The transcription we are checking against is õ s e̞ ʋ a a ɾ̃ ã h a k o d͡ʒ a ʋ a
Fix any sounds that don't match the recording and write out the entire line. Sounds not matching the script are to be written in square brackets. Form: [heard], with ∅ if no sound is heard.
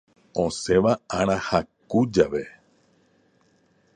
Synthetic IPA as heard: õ s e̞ ʋ a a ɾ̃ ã h a k [u] d͡ʒ a ʋ [e]